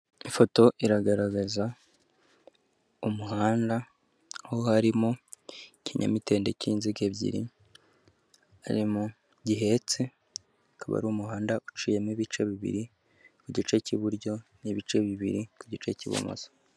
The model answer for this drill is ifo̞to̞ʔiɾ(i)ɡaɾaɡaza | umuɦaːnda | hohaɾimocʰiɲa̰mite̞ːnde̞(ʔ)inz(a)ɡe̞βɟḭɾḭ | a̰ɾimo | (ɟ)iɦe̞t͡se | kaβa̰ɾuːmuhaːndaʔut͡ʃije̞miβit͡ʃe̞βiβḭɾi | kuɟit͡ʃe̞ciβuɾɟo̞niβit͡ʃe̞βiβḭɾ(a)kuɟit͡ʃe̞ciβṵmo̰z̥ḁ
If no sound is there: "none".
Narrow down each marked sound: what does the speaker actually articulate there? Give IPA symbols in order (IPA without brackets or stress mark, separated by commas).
a, c, i, ɟ, i